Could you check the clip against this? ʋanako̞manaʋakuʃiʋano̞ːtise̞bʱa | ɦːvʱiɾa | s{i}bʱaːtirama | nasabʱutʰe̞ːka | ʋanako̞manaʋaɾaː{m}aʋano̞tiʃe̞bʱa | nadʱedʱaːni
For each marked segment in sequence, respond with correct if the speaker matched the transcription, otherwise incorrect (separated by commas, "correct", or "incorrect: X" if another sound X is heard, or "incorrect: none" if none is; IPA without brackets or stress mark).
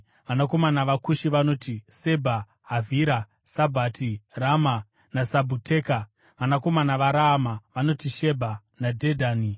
incorrect: a, correct